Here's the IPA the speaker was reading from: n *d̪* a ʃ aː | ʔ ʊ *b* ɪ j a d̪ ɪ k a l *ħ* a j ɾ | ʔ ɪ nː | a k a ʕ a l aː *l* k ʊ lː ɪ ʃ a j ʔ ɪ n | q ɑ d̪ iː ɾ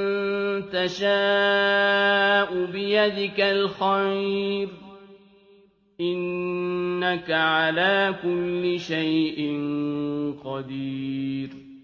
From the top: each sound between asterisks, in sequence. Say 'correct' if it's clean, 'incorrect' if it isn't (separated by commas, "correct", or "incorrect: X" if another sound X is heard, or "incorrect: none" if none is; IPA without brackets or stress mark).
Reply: incorrect: t̪, correct, incorrect: x, incorrect: none